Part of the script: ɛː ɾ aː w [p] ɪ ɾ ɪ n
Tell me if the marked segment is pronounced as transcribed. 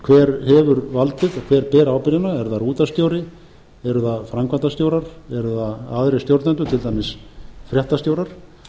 yes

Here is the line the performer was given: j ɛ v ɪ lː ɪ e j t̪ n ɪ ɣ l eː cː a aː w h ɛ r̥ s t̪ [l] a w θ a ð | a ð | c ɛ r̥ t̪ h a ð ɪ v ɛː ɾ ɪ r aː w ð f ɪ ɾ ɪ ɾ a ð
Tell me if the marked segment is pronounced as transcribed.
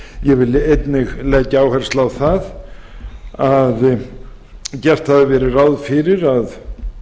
yes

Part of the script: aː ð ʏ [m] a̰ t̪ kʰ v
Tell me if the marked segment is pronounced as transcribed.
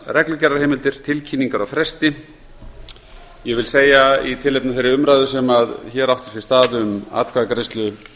yes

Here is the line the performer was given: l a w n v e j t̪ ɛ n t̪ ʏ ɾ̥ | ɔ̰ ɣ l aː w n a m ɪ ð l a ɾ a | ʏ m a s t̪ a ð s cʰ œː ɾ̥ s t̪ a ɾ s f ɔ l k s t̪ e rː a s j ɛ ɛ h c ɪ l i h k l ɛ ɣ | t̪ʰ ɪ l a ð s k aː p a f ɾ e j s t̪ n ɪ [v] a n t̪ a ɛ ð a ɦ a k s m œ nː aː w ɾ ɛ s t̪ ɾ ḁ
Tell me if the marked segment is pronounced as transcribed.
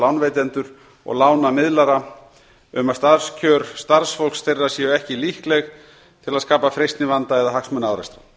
yes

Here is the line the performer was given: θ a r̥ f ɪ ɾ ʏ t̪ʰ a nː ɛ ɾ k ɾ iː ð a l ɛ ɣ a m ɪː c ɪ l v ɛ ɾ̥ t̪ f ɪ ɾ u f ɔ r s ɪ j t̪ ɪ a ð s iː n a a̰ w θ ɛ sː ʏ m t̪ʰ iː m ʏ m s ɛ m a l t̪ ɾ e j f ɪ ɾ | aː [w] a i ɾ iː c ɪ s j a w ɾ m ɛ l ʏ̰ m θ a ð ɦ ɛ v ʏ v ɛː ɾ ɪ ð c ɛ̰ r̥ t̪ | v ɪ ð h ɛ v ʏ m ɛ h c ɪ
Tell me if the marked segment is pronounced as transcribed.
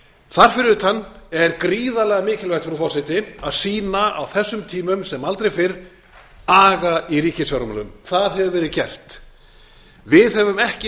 no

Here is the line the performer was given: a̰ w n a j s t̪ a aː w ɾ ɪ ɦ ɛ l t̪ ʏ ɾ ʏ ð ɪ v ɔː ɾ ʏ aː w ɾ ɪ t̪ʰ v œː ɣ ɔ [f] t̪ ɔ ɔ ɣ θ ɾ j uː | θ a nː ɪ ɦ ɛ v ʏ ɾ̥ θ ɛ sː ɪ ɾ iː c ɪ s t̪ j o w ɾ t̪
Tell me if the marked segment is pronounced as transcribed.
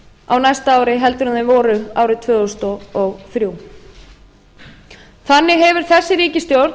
no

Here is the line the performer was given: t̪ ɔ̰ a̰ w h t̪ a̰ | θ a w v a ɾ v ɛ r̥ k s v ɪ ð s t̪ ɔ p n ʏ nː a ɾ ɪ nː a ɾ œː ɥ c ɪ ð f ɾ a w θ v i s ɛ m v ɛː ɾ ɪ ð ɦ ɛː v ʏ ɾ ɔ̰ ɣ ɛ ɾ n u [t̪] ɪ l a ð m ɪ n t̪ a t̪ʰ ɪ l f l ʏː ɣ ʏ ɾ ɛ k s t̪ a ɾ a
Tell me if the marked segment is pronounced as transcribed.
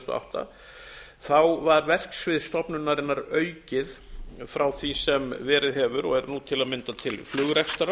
no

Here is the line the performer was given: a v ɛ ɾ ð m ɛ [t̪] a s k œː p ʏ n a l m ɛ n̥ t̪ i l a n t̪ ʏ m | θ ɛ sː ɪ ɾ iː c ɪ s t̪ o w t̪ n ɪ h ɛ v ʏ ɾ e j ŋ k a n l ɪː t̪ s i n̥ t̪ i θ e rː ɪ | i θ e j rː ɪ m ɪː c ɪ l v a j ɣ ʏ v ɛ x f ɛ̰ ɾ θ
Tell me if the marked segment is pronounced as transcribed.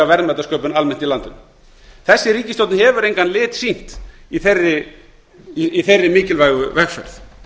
yes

